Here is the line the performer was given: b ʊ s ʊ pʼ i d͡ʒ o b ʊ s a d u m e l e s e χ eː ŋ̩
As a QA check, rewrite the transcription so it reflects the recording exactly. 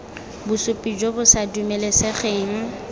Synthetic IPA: b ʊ s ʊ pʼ i d͡ʒ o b ʊ s a d u m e l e s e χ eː ŋ̩

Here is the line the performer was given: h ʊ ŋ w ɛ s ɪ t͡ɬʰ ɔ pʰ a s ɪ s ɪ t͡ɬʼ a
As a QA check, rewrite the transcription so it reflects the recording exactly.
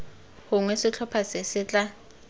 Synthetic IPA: h ʊ ŋ w ɛ s ɪ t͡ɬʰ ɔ pʰ a s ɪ s ɪ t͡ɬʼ a

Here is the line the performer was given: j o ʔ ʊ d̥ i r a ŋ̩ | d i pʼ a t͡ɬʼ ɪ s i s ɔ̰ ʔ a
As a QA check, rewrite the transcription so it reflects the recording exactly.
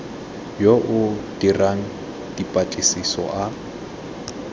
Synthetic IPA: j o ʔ ʊ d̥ i r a ŋ̩ | d i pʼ a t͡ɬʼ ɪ s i s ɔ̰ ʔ a

